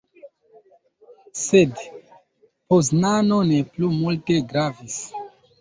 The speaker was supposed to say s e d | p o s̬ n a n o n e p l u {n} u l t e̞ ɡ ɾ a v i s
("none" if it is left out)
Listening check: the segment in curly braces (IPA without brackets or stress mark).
m